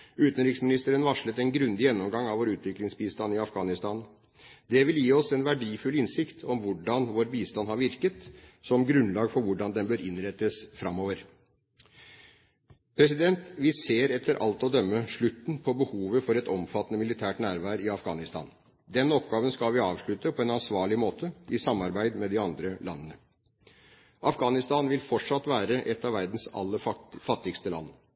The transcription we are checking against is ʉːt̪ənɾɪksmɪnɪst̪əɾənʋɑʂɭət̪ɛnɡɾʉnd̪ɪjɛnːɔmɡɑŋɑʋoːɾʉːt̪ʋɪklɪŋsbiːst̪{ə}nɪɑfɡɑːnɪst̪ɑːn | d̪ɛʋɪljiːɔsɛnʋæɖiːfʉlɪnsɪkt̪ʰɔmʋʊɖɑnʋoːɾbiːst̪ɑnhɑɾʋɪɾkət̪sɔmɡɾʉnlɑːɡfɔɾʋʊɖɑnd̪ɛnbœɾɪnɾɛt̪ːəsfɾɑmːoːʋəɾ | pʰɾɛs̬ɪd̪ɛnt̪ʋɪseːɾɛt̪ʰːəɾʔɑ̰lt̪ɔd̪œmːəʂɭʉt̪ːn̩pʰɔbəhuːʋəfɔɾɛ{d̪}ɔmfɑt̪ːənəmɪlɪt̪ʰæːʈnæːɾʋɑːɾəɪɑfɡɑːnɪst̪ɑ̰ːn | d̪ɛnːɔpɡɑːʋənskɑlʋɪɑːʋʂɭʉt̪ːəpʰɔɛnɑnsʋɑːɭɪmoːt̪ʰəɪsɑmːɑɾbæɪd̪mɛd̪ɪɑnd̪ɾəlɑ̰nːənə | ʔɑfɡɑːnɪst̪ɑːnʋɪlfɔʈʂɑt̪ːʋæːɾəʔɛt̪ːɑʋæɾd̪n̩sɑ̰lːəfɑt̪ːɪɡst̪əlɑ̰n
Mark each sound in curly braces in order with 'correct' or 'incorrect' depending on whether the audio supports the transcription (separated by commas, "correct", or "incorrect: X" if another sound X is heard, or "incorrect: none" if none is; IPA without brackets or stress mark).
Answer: incorrect: ɑ, incorrect: t̪